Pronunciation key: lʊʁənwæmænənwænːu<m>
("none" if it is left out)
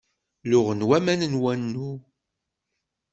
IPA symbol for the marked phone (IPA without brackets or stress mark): none